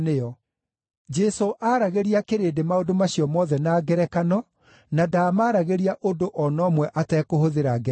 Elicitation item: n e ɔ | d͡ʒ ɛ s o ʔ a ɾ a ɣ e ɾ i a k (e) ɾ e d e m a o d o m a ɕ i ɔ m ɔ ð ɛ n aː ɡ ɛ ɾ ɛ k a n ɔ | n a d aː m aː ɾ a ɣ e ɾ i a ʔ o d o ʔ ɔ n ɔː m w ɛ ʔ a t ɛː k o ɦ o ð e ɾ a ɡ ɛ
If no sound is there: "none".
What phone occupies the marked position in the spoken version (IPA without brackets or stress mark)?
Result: e